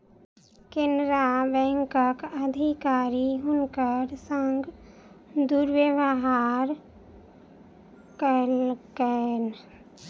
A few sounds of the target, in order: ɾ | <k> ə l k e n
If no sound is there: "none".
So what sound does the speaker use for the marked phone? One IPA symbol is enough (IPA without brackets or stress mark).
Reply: k